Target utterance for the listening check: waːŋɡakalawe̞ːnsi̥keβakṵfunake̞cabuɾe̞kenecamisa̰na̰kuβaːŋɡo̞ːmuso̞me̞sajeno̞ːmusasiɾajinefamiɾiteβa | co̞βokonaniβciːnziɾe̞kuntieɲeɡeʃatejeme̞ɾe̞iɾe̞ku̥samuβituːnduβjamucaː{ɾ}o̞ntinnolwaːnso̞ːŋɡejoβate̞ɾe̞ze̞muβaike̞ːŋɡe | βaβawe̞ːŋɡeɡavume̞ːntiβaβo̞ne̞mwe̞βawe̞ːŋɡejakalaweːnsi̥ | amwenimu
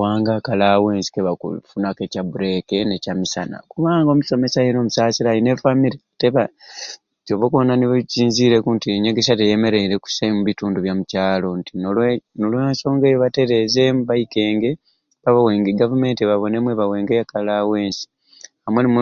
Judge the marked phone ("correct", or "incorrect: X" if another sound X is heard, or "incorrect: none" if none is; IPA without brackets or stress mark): incorrect: l